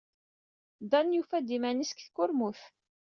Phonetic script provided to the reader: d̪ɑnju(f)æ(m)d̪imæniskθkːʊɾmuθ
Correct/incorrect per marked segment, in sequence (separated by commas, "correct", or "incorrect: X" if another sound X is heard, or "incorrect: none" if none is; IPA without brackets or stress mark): correct, incorrect: none